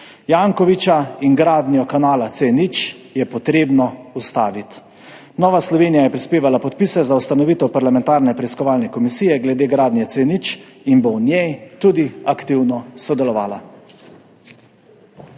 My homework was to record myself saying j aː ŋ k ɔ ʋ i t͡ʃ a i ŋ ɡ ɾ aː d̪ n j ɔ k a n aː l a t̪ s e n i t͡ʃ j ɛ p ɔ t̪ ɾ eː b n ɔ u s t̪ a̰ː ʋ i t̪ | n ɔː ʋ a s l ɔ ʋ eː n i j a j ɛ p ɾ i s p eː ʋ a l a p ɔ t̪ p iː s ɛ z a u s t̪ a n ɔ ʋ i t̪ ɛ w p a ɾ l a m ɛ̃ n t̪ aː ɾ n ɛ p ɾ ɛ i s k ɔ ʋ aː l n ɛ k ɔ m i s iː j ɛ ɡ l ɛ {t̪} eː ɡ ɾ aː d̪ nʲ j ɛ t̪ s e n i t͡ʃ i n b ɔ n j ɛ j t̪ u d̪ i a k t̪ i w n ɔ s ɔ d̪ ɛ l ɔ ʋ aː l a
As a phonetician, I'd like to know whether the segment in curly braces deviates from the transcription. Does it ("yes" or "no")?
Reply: yes